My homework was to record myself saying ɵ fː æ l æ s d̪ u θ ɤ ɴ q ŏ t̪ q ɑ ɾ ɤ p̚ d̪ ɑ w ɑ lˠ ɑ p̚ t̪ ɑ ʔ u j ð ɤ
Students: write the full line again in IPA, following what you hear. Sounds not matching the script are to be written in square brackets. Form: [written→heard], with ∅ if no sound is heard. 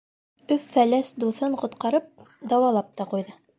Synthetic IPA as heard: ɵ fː æ l æ s d̪ u θ ɤ ɴ q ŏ t̪ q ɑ ɾ ɤ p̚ d̪ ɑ w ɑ lˠ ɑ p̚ t̪ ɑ [ʔ→q] u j ð ɤ